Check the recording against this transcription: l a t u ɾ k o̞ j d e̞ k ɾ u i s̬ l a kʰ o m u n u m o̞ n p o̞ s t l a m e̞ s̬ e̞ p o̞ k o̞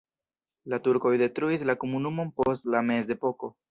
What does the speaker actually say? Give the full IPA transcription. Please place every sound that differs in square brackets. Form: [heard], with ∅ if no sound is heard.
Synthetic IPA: l a t u ɾ k o̞ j d e̞ [t] ɾ u i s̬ l a [k] o m u n u m o̞ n p o̞ s t l a m e̞ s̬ e̞ p o̞ k o̞